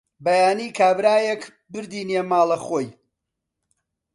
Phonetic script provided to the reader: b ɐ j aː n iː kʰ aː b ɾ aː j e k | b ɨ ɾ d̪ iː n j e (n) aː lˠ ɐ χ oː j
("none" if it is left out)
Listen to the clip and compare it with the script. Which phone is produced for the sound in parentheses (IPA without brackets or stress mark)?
m